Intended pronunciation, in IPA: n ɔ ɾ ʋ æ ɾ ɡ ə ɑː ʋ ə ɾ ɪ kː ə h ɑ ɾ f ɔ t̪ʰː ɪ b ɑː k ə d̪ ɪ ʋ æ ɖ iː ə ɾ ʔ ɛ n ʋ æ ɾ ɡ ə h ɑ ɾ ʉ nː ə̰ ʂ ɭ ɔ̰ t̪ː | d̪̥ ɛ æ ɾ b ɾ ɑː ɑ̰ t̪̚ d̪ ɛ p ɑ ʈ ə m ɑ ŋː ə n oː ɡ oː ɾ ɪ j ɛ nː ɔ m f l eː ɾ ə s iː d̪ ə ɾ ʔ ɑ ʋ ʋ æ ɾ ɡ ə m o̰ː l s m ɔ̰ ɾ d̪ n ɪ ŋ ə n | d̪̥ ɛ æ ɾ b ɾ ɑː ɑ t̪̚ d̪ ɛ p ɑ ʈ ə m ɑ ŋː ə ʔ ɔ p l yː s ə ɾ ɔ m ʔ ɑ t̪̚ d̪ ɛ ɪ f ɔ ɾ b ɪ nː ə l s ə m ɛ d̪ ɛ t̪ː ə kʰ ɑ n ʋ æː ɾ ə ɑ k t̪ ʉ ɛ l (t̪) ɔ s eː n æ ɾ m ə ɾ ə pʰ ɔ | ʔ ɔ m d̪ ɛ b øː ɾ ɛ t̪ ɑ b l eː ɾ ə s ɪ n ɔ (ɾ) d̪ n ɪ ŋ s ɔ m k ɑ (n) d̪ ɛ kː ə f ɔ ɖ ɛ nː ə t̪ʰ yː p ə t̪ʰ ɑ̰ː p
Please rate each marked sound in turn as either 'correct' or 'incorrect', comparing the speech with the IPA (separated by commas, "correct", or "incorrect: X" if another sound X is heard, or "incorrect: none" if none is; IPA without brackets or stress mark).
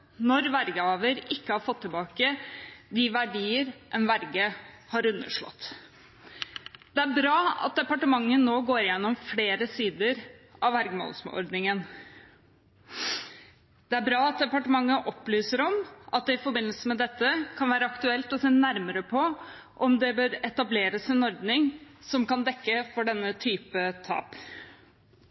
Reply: correct, correct, correct